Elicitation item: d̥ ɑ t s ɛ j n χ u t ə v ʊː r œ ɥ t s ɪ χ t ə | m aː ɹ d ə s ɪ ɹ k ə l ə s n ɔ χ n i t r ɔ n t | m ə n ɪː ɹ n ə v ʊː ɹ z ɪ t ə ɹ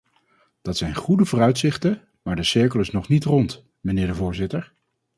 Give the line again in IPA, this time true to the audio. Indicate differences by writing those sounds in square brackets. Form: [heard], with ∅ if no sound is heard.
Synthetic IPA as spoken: d̥ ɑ t s ɛ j n χ u [d] ə v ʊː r œ ɥ t s ɪ χ t ə | m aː ɹ d ə s ɪ ɹ k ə l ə s n ɔ χ n i t r ɔ n t | m ə n ɪː ɹ [d] ə v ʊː ɹ z ɪ t ə ɹ